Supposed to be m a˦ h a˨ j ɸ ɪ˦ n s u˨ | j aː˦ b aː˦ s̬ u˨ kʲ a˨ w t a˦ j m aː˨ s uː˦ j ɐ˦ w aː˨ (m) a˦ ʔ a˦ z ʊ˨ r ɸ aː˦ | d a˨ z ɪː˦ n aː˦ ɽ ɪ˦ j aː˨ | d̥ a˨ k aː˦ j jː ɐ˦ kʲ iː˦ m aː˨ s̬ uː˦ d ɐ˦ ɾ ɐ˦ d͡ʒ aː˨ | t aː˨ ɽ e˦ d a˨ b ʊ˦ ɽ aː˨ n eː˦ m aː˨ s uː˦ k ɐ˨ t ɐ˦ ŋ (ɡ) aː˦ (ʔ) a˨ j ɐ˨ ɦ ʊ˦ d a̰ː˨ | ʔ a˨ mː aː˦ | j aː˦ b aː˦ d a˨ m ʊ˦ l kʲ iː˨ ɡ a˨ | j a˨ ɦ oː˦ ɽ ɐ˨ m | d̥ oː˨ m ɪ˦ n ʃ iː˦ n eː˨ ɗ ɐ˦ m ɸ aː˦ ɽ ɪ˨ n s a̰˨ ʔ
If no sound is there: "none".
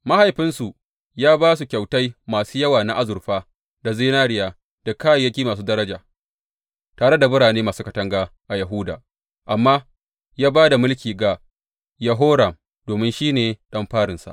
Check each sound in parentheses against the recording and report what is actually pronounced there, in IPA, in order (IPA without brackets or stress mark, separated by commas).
n, ɡ, ʔ